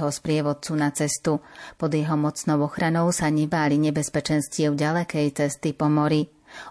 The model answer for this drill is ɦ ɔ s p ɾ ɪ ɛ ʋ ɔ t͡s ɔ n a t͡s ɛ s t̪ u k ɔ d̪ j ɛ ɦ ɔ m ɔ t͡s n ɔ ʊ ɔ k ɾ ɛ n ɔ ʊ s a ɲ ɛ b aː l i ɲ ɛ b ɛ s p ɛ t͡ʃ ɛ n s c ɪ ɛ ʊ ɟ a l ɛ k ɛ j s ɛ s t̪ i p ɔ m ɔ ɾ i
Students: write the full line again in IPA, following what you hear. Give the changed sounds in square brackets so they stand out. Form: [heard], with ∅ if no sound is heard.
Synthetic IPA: ɦ ɔ s p ɾ ɪ ɛ ʋ ɔ t͡s [u] n a t͡s ɛ s t̪ u [p] ɔ d̪ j ɛ ɦ ɔ m ɔ t͡s n ɔ ʊ ɔ [x] ɾ [a] n ɔ ʊ s a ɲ ɛ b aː l i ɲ ɛ b ɛ s p ɛ t͡ʃ ɛ n s c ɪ ɛ ʊ ɟ a l ɛ k ɛ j [t͡s] ɛ s t̪ i p ɔ m ɔ ɾ i